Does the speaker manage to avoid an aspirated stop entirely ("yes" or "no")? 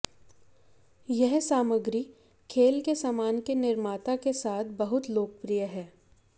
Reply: no